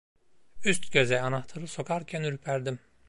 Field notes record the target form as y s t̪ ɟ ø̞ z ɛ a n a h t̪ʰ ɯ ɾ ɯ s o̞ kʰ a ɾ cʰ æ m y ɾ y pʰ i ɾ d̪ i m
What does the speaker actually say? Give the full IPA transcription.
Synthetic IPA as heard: y s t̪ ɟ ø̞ z ɛ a n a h t̪ʰ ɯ ɾ ɯ s o̞ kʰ a ɾ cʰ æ n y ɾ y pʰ æ ɾ d̪ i m